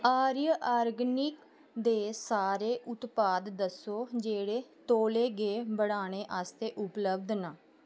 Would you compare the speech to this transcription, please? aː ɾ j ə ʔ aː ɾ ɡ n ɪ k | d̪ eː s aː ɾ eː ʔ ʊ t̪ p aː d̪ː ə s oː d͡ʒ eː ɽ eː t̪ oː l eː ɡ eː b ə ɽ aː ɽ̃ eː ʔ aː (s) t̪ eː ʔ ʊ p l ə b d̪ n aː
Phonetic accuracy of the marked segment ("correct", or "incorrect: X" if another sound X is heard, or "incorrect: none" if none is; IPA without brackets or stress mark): correct